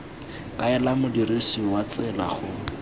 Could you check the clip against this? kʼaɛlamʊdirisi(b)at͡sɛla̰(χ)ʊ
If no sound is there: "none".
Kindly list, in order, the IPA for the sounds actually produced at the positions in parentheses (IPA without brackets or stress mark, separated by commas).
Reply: w, χ